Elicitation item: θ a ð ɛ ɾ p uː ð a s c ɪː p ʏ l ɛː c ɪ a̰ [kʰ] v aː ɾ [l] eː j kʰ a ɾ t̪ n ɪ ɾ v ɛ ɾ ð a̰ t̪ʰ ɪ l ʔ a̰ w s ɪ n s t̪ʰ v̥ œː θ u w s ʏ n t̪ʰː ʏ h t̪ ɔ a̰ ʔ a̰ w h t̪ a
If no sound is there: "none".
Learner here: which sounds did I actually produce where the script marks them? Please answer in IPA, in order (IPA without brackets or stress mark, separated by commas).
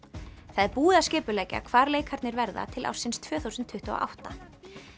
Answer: kʰ, l